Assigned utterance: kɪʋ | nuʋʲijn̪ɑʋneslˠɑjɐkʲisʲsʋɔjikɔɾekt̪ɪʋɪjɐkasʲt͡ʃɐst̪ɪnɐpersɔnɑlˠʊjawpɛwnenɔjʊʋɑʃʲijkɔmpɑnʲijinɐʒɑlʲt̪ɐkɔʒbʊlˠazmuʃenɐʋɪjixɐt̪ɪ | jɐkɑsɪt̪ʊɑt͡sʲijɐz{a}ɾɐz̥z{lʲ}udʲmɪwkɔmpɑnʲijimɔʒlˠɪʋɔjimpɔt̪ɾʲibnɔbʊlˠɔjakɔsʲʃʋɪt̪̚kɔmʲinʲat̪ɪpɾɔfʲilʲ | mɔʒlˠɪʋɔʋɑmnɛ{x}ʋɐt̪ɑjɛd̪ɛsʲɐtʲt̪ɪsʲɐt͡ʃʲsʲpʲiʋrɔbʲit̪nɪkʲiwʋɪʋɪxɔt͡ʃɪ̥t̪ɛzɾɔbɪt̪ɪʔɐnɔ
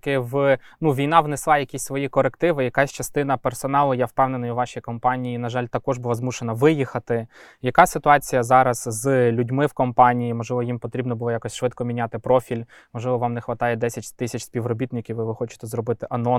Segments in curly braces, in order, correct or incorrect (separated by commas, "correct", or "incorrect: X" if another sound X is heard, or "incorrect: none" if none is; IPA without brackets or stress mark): incorrect: ɑ, correct, correct